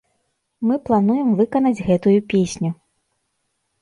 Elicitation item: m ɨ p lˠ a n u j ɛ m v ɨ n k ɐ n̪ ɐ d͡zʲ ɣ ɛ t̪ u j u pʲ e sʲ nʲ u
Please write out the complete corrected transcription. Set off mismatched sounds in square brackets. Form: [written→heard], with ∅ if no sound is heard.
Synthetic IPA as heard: m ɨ p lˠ a n u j ɛ m v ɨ [n→∅] k ɐ n̪ ɐ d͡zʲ ɣ ɛ t̪ u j u pʲ e sʲ nʲ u